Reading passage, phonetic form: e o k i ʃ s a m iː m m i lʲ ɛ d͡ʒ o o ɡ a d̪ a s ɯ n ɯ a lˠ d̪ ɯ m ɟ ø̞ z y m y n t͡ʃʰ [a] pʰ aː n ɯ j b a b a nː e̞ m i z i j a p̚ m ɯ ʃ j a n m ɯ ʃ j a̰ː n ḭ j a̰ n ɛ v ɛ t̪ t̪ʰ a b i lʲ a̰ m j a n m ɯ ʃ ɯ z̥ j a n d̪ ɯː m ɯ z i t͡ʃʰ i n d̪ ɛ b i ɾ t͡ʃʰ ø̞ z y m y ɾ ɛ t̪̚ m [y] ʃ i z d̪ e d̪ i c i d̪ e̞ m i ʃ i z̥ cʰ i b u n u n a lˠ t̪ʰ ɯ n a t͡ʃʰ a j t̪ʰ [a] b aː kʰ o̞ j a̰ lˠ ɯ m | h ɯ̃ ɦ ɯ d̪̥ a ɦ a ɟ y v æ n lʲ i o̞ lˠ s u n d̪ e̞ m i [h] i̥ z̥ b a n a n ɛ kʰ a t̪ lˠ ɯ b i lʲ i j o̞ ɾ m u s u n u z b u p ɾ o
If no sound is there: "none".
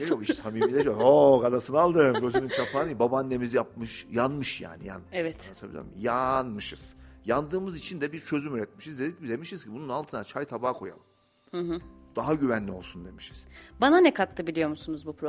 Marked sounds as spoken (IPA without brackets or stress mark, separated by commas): a, i, a, ʃ